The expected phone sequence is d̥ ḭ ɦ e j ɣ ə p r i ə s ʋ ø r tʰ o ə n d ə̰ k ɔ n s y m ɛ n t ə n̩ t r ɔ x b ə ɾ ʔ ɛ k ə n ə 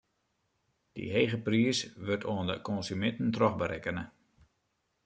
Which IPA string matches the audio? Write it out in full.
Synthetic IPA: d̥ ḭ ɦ e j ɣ ə p r i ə s ʋ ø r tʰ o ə n d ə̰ k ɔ n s y m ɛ n t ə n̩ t r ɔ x b ə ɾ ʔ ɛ k ə n ə